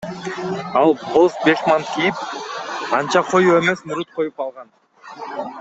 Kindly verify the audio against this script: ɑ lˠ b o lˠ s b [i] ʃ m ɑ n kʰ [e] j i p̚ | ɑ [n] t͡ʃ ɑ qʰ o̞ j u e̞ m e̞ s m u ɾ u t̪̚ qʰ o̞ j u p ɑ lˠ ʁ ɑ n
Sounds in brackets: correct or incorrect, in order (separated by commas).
incorrect, incorrect, correct